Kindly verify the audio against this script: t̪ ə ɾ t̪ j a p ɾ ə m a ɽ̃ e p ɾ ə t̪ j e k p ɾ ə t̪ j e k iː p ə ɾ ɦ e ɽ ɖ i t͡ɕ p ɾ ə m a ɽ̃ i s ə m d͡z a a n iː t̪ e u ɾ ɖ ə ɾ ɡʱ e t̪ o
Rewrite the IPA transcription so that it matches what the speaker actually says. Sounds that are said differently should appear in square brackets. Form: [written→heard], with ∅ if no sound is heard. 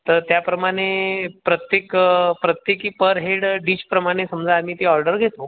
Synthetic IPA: t̪ ə ɾ t̪ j a p ɾ ə m a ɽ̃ e p ɾ ə t̪ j e k p ɾ ə t̪ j e k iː p ə ɾ ɦ e ɽ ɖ i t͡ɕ p ɾ ə m a ɽ̃ [i→e] s ə m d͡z a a [n→m] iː t̪ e [u→ɔ] ɾ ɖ ə ɾ ɡʱ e t̪ o